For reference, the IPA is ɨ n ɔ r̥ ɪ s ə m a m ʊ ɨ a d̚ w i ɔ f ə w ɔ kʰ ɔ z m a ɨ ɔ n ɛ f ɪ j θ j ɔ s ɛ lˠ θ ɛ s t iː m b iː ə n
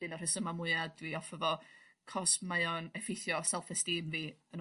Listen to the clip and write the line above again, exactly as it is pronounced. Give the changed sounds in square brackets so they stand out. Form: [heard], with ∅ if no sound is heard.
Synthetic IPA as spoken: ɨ n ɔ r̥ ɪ s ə m a m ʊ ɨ a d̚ w i ɔ f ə [v] ɔ kʰ ɔ [s] m a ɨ ɔ n ɛ f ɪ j θ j ɔ s ɛ lˠ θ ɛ s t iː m [v] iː ə n